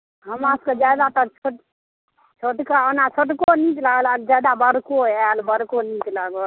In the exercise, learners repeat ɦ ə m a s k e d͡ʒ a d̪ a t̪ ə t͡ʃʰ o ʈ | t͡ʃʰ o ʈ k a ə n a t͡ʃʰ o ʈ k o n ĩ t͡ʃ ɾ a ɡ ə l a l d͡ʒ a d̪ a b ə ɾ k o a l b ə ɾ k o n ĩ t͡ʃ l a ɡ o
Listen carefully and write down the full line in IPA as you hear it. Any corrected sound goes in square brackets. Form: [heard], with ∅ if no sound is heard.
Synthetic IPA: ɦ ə m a s k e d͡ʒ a d̪ a t̪ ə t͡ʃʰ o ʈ | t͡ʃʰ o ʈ k a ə n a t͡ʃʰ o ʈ k o n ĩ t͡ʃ [l] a ɡ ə l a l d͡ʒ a d̪ a b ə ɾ k o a l b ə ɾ k o n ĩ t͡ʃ l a ɡ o